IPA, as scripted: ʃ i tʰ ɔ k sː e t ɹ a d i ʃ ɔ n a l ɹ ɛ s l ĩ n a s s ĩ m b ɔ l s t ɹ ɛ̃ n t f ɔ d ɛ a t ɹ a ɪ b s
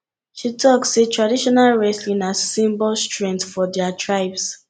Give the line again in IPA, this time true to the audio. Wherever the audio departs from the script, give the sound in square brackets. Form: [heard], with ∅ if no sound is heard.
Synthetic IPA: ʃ i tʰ ɔ k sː e t ɹ a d i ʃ ɔ n a l ɹ ɛ s l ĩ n a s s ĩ m b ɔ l s t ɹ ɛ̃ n t f ɔ d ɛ a t ɹ a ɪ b s